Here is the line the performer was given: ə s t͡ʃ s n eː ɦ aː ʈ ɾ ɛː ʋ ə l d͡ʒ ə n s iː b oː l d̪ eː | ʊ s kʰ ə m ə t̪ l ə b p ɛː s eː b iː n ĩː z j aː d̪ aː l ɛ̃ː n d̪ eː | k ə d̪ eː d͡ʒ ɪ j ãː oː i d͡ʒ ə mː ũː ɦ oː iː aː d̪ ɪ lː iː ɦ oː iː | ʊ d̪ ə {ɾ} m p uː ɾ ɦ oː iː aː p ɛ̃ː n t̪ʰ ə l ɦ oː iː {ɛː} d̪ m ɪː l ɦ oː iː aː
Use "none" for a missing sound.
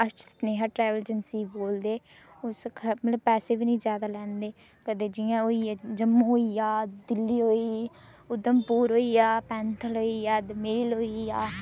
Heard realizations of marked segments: none, aː

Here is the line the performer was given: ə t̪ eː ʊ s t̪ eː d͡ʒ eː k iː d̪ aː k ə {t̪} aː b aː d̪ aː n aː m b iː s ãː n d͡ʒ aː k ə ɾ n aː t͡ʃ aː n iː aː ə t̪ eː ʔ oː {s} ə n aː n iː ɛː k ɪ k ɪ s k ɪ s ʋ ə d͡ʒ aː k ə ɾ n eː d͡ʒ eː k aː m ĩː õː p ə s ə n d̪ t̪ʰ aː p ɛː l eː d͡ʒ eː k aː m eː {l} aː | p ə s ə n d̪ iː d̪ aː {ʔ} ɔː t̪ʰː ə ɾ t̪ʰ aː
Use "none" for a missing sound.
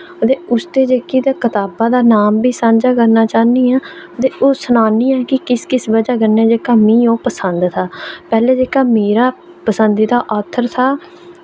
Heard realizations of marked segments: t̪, s, ɾ, ʔ

